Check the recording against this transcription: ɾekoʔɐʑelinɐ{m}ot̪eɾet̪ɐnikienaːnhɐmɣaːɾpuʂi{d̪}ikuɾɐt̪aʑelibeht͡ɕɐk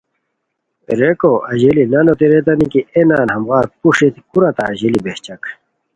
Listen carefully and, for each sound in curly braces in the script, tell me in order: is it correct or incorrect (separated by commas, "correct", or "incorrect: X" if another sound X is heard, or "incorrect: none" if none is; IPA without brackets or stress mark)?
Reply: incorrect: n, incorrect: t̪